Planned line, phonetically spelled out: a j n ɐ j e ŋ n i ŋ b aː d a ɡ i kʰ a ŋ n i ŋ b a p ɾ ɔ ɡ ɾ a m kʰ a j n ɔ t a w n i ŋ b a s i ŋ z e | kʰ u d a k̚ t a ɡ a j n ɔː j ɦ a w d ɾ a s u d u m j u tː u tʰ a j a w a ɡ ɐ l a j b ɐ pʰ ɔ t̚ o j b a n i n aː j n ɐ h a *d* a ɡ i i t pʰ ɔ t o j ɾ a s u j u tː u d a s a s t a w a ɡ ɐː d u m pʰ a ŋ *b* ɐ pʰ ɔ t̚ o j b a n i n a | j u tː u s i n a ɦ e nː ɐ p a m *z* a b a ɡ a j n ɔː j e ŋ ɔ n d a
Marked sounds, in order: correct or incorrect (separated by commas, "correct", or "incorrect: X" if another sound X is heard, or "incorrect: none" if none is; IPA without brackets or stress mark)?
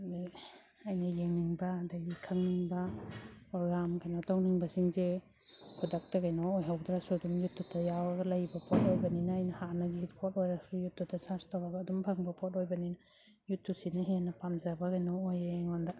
incorrect: n, correct, correct